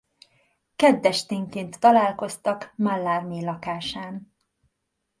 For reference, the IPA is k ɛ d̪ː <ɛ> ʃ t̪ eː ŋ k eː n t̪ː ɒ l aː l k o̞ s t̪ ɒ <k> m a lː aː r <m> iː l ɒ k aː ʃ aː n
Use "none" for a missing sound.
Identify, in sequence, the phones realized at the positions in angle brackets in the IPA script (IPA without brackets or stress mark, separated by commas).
ɛ, k, m